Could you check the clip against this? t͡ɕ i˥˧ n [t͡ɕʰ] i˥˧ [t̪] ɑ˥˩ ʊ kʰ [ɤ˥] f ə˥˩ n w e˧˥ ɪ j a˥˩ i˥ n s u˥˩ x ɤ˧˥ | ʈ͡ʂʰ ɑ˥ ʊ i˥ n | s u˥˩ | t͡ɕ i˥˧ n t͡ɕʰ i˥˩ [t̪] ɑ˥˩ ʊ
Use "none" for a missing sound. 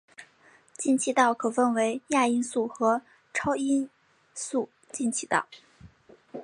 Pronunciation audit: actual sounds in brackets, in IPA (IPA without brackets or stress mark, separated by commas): t͡ɕʰ, t̪, ɤ˨˩, t̪